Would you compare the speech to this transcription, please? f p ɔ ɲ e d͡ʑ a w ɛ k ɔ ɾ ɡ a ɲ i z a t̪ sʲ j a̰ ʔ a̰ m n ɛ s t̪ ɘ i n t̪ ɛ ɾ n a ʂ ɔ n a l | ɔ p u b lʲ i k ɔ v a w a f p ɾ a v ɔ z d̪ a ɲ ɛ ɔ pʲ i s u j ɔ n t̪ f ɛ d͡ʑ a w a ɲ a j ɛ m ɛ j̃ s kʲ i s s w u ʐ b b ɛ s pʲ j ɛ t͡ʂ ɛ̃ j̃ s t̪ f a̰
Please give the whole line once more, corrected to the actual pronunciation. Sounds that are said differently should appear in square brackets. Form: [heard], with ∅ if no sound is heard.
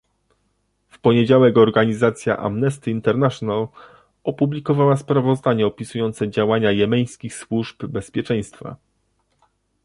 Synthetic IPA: f p ɔ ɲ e d͡ʑ a w ɛ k ɔ ɾ ɡ a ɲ i z a t̪ sʲ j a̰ ʔ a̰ m n ɛ s t̪ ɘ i n t̪ ɛ ɾ n a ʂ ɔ n a l | ɔ p u b lʲ i k ɔ v a w a [s] p ɾ a v ɔ z d̪ a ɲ ɛ ɔ pʲ i s u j ɔ n t̪ [s] ɛ d͡ʑ a w a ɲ a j ɛ m ɛ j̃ s kʲ i [x] s w u ʐ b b ɛ s pʲ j ɛ t͡ʂ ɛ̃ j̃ s t̪ f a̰